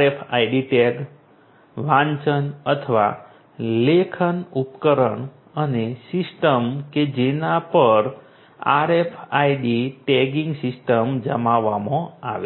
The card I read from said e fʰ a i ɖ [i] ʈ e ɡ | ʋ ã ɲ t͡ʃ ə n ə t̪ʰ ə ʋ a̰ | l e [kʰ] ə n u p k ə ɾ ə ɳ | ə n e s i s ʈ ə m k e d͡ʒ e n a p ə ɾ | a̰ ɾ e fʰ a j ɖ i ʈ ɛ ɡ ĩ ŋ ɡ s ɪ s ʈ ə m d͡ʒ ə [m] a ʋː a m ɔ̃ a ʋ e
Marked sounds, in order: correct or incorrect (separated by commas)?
correct, correct, correct